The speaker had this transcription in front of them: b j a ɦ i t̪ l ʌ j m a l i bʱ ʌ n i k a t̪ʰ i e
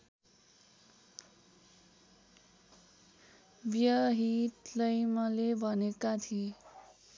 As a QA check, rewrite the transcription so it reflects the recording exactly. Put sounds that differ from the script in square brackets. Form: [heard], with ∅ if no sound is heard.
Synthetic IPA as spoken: b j [ʌ] ɦ i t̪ l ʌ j m [ʌ] l [e] bʱ ʌ n [e] k a t̪ʰ i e

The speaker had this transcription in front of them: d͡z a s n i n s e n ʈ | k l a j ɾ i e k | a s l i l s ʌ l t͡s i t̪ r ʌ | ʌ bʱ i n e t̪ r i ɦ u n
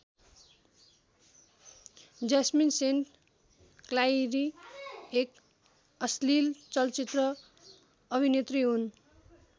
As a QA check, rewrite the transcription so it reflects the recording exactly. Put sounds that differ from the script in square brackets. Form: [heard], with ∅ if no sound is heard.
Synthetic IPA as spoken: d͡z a s [m] i n s e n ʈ | k l a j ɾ i e k | [ʌ] s l i l [t͡s] ʌ l t͡s i t̪ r ʌ | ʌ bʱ i n e t̪ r i ɦ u n

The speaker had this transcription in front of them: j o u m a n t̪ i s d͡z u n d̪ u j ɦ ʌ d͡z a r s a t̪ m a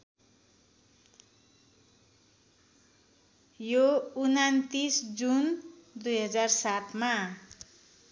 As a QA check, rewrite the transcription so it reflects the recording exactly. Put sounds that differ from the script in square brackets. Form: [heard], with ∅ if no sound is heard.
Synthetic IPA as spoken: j o u [n] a n t̪ i s d͡z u n d̪ u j ɦ ʌ d͡z a r s a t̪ m a

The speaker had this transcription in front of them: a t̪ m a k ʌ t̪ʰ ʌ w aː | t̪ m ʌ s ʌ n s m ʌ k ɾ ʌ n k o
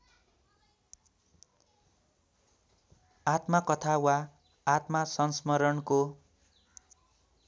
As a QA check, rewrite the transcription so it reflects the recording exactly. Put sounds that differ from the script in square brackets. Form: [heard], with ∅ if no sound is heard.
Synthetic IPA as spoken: a t̪ m a k ʌ t̪ʰ [a] w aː | t̪ m [a] s ʌ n s m ʌ [∅] ɾ ʌ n k o

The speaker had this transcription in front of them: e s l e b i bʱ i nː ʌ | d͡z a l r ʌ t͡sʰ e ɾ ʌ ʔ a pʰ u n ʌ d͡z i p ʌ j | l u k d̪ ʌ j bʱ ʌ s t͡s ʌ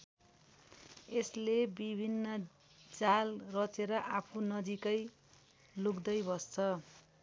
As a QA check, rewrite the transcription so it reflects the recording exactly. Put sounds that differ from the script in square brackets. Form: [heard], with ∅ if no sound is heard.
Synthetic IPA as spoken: e s l e b i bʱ i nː ʌ | d͡z a l r ʌ [t͡s] e ɾ ʌ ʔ a pʰ u n ʌ d͡z i [k] ʌ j | l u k d̪ ʌ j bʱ ʌ s [t͡sʰ] ʌ

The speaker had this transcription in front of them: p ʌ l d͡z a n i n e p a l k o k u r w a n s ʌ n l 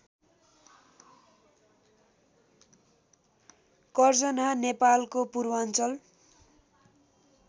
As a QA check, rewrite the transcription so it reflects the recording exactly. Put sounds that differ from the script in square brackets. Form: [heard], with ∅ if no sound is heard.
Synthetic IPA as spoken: [k] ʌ [r] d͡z [ʌ] n [a] n e p a l k o [p] u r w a n [t͡s] ʌ [∅] l

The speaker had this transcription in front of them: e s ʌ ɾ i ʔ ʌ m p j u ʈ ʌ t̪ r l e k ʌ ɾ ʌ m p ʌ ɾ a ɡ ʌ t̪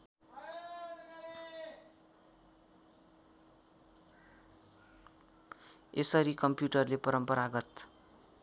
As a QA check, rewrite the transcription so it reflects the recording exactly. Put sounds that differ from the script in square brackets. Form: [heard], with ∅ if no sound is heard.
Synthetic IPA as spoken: e s ʌ ɾ i [k] ʌ m p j u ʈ ʌ [∅] r l e [p] ʌ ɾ ʌ m p ʌ ɾ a ɡ ʌ t̪

